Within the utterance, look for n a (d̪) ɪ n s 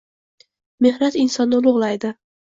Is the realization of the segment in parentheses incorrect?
yes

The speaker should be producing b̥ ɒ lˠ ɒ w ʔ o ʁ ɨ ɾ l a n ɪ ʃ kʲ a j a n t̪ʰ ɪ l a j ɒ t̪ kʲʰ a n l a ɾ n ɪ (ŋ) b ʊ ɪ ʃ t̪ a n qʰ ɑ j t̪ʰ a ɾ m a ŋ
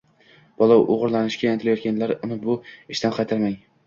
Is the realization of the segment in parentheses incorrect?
yes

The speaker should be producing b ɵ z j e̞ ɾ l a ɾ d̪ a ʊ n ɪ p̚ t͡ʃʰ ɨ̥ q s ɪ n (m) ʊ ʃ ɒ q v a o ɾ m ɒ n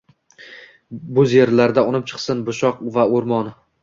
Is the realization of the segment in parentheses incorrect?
yes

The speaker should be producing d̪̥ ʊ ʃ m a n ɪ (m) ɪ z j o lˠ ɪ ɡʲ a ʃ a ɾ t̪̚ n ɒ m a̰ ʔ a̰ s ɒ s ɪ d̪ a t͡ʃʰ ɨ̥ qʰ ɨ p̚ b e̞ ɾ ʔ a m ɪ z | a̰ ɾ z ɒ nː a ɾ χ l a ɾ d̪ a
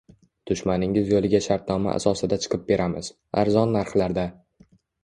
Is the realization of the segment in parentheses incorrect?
yes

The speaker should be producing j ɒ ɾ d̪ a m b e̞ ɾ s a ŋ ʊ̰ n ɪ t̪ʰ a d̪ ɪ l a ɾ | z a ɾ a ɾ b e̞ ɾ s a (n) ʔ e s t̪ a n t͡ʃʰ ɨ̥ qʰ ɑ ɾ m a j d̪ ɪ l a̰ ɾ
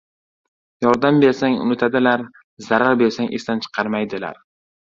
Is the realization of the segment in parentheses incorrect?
yes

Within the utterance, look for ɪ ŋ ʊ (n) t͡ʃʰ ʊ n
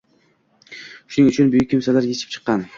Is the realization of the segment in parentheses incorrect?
yes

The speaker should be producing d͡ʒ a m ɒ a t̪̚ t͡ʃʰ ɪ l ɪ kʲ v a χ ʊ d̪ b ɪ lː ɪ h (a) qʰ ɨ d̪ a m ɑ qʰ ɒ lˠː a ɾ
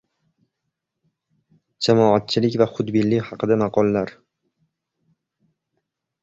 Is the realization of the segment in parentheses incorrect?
yes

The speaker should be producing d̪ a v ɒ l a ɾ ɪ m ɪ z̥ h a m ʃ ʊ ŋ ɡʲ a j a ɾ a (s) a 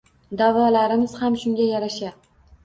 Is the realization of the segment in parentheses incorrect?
yes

